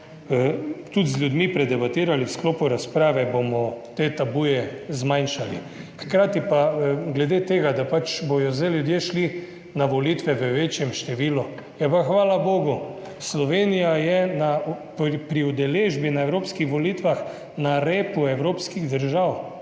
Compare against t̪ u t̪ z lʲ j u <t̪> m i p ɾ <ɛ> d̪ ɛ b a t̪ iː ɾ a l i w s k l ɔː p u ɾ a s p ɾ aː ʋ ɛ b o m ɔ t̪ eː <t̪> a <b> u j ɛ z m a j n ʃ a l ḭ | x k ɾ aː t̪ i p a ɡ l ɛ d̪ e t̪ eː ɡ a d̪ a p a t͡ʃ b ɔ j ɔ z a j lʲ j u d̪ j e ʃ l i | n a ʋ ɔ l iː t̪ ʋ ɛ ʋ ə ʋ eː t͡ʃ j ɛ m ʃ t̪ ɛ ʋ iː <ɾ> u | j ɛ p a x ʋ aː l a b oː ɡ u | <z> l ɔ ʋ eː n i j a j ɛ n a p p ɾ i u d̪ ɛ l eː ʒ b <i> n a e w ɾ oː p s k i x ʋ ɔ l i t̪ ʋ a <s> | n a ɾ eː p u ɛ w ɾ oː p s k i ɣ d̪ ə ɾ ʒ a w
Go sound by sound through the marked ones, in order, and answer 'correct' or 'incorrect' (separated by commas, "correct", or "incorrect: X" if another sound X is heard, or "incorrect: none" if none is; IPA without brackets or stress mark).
incorrect: d̪, correct, correct, correct, incorrect: l, incorrect: s, correct, incorrect: x